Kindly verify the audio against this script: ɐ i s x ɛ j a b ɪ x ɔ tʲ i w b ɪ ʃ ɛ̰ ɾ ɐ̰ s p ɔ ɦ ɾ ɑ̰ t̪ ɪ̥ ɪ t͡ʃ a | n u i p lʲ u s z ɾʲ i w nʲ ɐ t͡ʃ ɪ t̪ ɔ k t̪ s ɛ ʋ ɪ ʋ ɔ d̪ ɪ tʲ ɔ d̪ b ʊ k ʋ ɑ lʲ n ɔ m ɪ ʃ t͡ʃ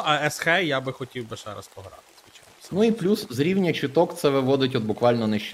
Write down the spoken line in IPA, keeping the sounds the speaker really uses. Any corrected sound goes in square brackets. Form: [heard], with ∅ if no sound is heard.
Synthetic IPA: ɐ [ɛ] s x ɛ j a b ɪ x ɔ tʲ i w b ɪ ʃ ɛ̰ ɾ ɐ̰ s p ɔ ɦ ɾ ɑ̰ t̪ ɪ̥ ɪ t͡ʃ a | n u i p lʲ u s z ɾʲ i w nʲ ɐ t͡ʃ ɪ t̪ ɔ k t̪ s ɛ ʋ ɪ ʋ ɔ d̪ ɪ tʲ ɔ d̪ b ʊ k ʋ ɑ lʲ n ɔ [n] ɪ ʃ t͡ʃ